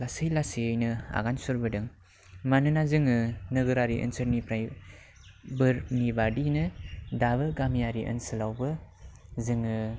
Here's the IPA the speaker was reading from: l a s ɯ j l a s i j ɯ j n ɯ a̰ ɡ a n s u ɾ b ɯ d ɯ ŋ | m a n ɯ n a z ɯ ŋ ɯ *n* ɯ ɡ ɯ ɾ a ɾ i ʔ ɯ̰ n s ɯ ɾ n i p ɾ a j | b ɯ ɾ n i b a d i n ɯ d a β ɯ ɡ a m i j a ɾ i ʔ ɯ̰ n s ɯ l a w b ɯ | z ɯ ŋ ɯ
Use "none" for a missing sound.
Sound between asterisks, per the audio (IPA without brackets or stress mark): n